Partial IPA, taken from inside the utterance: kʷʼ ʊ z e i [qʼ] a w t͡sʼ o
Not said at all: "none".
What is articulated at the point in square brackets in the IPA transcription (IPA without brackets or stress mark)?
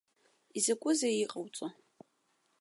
qʼ